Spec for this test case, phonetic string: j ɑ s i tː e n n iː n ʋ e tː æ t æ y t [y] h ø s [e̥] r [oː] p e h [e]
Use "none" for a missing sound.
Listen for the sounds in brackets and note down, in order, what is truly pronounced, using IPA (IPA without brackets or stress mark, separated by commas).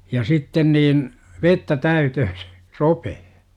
ø, e̥, o, e